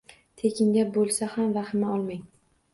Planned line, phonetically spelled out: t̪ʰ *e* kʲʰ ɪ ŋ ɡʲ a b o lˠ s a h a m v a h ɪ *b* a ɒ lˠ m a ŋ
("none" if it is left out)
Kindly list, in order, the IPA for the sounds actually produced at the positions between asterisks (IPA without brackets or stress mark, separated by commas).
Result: e, m